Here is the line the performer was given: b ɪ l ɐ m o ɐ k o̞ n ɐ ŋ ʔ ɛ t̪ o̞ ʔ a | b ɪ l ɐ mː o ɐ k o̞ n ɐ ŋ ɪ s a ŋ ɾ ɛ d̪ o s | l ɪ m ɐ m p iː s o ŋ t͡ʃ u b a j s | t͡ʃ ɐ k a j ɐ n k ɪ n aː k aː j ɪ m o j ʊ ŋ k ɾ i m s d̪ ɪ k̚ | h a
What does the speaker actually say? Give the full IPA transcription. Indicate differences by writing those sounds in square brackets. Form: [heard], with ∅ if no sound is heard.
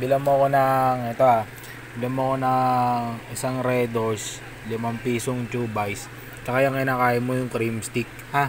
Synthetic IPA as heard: b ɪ l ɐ m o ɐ k o̞ n ɐ ŋ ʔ ɛ t̪ o̞ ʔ a | b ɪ l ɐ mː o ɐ k o̞ n ɐ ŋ ɪ s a ŋ ɾ ɛ d̪ o s | l ɪ m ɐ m p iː s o ŋ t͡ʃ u b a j s | t͡ʃ ɐ k a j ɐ [ŋ] k ɪ n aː k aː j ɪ m o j ʊ ŋ k ɾ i m s [t̪] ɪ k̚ | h a